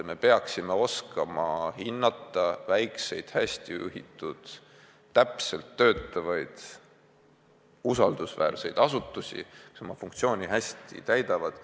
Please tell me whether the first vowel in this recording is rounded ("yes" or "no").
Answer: no